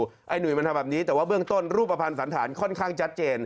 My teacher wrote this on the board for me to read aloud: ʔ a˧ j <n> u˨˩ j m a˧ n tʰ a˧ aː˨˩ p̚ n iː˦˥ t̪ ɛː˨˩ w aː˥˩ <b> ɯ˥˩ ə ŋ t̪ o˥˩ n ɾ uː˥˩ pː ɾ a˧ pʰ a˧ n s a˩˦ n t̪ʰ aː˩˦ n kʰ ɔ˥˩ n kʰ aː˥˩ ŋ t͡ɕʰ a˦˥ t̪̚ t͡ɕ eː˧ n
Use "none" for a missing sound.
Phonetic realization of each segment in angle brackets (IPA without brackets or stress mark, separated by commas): n, b